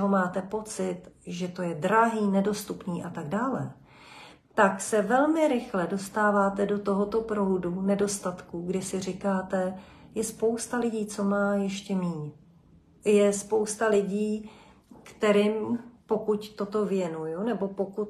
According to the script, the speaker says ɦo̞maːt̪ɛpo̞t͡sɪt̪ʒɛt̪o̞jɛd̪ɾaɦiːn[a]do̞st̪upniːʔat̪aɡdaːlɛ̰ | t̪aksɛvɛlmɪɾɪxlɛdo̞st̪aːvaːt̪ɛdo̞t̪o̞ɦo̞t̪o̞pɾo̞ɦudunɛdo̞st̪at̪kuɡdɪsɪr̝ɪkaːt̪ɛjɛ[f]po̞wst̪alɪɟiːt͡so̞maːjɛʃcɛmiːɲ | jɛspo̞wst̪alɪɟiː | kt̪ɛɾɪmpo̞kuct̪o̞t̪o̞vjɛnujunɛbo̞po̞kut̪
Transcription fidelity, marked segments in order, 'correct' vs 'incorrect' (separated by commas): incorrect, incorrect